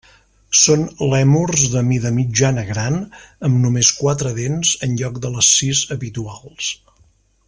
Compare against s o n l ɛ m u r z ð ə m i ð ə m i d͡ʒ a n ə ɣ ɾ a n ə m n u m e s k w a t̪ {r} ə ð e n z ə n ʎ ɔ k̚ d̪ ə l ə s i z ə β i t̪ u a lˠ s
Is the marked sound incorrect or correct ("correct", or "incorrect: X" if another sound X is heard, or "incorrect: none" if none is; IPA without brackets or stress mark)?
incorrect: ɾ